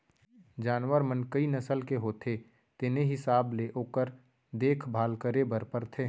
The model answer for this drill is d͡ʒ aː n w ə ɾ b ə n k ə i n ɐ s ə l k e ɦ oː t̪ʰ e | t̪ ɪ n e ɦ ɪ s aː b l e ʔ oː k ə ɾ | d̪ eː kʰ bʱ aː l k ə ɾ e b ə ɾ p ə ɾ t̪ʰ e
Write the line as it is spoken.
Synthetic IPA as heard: d͡ʒ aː n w ə ɾ m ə n k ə i n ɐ s ə l k e ɦ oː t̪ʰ e | t̪ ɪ n e ɦ ɪ s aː b l e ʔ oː k ə ɾ | d̪ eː kʰ bʱ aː l k ə ɾ e b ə ɾ p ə ɾ t̪ʰ e